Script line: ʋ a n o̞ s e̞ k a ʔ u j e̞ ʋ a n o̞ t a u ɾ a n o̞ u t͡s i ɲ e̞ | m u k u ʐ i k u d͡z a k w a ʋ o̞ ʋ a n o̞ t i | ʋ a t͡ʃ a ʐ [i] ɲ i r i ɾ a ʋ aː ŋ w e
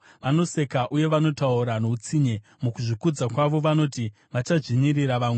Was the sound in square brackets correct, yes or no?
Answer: yes